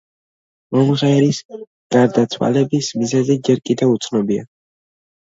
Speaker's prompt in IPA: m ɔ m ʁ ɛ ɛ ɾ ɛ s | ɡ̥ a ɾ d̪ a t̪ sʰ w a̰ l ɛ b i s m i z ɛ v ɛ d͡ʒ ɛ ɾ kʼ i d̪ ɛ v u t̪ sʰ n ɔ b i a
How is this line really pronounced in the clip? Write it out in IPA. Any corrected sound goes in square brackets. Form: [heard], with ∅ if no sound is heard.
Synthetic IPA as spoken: m ɔ m ʁ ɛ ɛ ɾ [i] s | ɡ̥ a ɾ d̪ a t̪ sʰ w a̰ l ɛ b i s m i z ɛ [z] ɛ d͡ʒ ɛ ɾ kʼ i d̪ ɛ v u t̪ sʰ n ɔ b i a